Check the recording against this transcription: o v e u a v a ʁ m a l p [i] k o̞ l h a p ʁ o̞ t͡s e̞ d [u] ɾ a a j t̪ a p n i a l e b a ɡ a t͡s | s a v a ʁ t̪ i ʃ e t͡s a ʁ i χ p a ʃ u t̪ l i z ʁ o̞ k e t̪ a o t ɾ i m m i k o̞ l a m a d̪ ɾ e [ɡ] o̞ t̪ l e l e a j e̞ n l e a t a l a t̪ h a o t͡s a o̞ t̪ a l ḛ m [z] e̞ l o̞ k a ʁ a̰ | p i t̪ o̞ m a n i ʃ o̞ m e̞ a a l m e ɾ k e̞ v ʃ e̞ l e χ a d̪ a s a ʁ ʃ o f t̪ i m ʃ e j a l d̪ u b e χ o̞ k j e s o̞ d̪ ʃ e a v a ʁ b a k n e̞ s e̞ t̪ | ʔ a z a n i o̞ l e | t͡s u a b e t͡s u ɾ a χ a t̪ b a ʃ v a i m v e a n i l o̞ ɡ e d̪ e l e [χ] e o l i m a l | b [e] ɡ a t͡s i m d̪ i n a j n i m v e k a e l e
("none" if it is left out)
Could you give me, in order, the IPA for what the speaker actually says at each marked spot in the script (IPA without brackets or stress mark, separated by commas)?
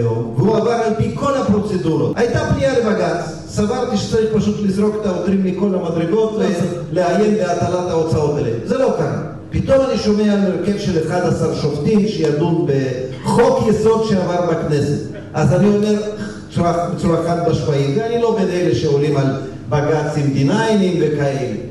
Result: i, u, ɡ, z, ʃ, a